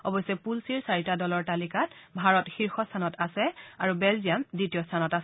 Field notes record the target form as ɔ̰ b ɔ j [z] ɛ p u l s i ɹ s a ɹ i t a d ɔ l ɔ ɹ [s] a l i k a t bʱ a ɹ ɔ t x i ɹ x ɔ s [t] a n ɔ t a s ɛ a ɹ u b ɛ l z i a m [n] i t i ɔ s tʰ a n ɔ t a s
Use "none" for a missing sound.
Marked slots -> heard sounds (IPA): s, t, tʰ, d

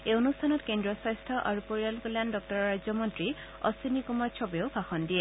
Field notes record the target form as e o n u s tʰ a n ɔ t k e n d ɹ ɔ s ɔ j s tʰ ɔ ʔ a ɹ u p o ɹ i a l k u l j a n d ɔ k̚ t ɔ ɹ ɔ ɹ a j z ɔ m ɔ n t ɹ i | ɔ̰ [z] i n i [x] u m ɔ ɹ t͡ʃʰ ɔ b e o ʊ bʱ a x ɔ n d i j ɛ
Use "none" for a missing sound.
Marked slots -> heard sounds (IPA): s, k

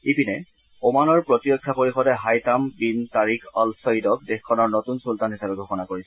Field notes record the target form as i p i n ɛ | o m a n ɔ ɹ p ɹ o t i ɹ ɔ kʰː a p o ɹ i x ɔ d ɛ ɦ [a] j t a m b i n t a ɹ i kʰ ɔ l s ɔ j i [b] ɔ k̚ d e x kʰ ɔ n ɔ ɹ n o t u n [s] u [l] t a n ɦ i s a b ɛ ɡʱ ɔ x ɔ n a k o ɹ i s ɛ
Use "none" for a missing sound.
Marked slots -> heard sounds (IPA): a, d, s, l

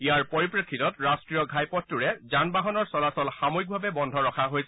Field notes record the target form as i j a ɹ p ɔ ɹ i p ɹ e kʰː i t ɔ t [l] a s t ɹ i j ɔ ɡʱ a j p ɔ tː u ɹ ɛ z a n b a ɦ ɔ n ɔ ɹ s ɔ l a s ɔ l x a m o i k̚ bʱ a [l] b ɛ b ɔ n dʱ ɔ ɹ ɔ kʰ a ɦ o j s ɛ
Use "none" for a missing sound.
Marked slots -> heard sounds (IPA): ɹ, none

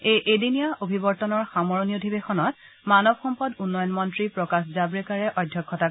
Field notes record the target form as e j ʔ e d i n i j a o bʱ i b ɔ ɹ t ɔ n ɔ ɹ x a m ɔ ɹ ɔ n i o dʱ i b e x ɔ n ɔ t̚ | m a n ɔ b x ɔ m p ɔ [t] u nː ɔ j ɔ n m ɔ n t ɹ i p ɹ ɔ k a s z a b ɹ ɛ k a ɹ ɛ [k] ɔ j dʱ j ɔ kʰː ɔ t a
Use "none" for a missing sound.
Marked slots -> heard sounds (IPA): d, ʔ

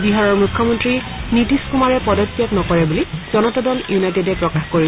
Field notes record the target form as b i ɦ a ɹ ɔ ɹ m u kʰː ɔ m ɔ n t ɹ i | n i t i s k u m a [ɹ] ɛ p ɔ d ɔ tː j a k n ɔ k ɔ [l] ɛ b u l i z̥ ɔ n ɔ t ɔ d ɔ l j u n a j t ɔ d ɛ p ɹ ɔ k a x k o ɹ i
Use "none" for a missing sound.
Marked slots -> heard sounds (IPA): ɹ, ɹ

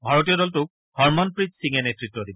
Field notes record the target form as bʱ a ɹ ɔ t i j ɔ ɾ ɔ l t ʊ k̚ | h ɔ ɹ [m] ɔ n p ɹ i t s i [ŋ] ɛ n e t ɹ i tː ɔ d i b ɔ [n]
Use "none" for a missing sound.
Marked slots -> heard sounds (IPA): m, ŋ, none

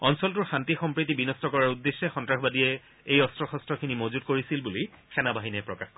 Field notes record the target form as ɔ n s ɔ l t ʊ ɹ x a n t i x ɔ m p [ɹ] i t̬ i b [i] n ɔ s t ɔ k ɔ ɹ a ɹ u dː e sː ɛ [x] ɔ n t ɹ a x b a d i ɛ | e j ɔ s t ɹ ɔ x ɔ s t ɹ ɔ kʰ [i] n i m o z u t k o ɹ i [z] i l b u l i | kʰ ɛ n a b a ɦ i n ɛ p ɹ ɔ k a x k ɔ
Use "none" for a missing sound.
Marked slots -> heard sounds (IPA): ɹ, i, x, i, s

